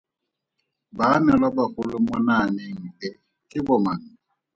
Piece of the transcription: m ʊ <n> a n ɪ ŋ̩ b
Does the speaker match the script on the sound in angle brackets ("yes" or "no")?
yes